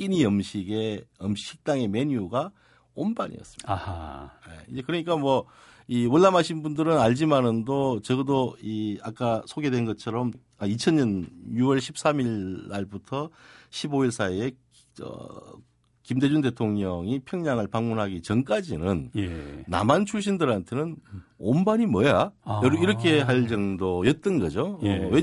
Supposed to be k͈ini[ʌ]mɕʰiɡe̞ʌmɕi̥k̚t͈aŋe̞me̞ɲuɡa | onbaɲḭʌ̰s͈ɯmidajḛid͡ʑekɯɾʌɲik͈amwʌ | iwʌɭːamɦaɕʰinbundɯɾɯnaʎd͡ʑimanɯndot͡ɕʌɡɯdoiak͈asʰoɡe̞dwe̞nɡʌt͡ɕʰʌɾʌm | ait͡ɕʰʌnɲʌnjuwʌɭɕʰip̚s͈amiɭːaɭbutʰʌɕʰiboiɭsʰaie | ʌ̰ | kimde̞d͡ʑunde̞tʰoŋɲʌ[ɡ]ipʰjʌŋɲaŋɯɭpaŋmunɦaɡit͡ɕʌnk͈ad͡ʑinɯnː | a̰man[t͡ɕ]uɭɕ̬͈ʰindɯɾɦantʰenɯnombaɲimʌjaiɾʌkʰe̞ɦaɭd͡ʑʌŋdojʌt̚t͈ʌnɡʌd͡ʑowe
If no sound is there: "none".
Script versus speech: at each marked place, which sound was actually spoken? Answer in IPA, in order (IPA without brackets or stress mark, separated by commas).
ʌ, ŋ, t͡ɕʰ